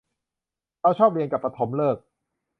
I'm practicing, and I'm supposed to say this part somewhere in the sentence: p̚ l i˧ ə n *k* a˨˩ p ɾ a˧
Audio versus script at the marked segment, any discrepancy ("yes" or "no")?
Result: no